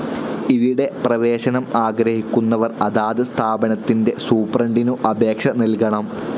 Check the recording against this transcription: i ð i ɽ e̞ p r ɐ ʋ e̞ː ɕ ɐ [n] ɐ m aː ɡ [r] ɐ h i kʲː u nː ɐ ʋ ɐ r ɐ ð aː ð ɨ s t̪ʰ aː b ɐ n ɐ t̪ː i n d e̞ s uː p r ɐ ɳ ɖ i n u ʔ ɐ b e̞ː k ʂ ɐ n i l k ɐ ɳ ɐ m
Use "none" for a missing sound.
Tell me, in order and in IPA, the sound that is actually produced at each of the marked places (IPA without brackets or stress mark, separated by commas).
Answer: n, ɾ